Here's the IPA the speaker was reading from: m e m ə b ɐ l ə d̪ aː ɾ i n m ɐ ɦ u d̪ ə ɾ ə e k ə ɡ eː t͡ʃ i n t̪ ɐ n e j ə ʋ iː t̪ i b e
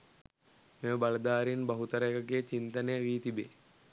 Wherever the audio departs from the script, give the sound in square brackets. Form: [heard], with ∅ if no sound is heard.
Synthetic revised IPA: m e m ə b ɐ l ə d̪ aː ɾ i n [b] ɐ ɦ u [t̪] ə ɾ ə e k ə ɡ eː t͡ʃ i n t̪ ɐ n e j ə ʋ iː t̪ i b e

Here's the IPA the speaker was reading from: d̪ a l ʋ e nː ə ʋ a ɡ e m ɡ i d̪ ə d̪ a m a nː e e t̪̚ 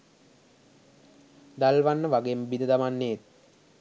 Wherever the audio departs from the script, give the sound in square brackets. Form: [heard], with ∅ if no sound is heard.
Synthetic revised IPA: d̪ a l ʋ [a] nː ə ʋ a ɡ e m [b] i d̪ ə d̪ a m a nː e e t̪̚

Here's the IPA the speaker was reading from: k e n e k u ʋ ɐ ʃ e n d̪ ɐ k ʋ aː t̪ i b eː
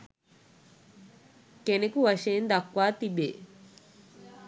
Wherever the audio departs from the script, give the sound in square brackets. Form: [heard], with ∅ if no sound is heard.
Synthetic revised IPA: k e n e k u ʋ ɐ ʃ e n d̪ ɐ k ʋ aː t̪ i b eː

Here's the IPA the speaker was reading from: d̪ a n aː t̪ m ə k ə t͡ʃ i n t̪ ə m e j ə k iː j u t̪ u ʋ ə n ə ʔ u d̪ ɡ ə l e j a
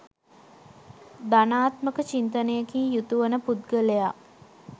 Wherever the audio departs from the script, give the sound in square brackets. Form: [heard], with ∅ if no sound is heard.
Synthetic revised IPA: d̪ a n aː t̪ m ə k ə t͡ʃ i n t̪ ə [n] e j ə k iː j u t̪ u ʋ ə n ə [p] u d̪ ɡ ə l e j a

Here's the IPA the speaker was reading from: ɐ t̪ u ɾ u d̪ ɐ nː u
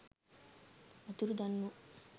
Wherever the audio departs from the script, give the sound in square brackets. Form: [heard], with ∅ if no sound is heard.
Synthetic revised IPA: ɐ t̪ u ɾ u d̪ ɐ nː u

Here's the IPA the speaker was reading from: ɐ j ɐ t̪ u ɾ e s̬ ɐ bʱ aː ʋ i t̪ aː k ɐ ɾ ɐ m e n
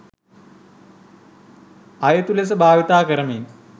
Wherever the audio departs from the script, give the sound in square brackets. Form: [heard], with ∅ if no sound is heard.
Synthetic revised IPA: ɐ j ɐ t̪ u [l] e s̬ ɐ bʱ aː ʋ i t̪ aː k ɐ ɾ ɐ m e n

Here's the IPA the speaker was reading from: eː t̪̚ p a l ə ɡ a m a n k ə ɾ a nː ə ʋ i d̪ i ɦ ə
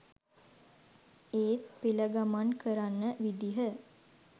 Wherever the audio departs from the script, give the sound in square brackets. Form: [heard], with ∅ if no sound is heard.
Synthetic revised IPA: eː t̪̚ p [i] l ə ɡ a m a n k ə ɾ a nː ə ʋ i d̪ i ɦ ə

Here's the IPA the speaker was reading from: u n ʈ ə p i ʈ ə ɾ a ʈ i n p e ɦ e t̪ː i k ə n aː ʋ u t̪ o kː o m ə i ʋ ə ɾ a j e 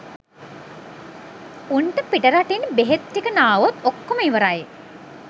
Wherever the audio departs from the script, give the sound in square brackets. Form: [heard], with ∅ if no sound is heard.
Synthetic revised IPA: u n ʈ ə p i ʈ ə ɾ a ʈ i n [b] e ɦ e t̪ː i k ə n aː ʋ [o] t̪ o kː o m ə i ʋ ə ɾ a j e

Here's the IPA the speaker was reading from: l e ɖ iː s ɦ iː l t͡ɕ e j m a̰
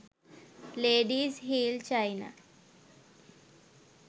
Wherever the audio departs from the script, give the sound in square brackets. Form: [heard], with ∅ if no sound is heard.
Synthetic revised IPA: l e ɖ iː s ɦ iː l t͡ɕ [a] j [n] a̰

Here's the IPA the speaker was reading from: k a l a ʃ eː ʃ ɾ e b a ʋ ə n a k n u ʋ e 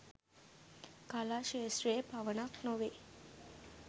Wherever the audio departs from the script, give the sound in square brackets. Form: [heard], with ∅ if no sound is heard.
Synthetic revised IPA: k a l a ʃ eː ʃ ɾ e [p] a ʋ ə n a k n [o] ʋ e

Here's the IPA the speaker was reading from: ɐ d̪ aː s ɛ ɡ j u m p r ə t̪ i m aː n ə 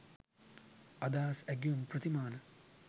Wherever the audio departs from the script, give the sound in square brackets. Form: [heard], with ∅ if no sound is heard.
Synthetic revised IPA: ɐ d̪ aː s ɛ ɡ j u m p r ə t̪ i m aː n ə

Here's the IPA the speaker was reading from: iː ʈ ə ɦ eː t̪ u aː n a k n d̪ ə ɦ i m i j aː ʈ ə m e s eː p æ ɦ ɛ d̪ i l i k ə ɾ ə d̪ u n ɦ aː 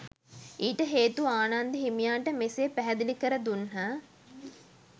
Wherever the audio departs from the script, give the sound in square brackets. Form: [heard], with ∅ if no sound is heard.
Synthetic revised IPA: iː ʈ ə ɦ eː t̪ u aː n a [∅] n d̪ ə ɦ i m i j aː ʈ ə m e s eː p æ ɦ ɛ d̪ i l i k ə ɾ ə d̪ u n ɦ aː

